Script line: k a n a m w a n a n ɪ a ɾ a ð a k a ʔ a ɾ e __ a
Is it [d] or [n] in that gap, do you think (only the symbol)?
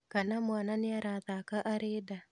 d